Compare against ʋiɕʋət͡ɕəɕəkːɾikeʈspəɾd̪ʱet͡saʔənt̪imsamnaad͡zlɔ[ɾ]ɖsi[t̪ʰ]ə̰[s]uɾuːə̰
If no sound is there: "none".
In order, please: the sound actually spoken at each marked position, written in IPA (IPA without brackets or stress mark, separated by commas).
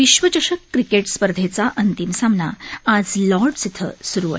ɾ, t̪ʰ, s